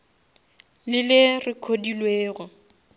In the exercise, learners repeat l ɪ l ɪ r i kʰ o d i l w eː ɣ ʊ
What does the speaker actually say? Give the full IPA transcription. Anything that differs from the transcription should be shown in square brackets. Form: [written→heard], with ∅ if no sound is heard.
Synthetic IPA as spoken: l ɪ l ɪ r [i→ɪ] kʰ o d i l w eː ɣ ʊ